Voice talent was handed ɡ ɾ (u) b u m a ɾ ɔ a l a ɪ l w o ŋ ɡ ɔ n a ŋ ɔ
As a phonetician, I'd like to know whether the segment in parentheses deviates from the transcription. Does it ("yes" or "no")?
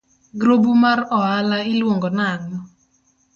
yes